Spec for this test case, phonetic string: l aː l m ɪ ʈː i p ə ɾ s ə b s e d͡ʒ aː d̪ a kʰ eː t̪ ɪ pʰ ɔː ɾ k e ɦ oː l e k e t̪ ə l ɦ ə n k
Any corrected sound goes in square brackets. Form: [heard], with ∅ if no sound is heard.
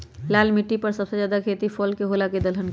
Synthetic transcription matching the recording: l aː l m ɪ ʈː i p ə ɾ s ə b s e d͡ʒ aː d̪ a kʰ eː t̪ [i] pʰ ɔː [l] k e ɦ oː l [a] k e [d̪] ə l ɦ ə n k